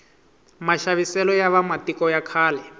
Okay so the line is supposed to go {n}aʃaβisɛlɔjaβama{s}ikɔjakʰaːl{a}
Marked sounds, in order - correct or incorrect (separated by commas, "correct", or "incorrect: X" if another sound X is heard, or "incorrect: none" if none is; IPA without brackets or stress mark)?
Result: incorrect: m, incorrect: t, incorrect: ɛ